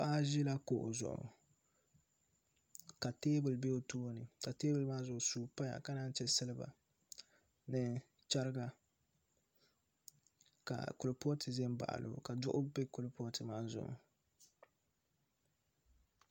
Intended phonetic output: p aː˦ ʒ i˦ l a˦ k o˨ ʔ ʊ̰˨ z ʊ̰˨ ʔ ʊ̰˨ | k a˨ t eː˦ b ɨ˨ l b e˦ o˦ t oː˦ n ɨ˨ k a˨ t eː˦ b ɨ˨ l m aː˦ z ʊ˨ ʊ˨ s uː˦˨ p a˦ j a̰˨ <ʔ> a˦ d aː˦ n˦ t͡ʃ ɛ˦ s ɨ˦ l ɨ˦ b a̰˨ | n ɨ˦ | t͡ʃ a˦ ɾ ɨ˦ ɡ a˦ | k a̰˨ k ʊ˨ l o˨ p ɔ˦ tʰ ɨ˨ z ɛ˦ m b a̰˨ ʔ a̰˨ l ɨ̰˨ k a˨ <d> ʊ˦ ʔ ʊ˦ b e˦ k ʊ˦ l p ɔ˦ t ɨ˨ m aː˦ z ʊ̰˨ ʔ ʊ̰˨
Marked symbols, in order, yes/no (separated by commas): no, yes